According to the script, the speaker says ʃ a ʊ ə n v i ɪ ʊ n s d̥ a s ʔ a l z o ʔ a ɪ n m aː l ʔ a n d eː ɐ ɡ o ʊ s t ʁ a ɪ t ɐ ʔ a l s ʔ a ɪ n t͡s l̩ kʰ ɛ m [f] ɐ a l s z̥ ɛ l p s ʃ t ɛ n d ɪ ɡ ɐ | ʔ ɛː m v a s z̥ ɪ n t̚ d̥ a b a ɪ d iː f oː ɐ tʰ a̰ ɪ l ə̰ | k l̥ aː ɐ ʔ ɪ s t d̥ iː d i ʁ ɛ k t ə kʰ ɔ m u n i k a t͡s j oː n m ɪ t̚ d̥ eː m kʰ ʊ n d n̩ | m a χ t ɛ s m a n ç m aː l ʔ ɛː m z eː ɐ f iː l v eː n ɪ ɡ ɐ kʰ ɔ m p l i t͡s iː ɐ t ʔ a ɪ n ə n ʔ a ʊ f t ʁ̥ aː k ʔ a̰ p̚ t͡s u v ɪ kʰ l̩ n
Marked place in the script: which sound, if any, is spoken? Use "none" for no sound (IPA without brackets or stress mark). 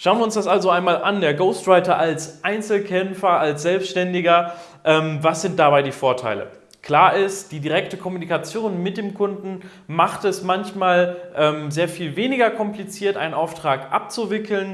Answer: f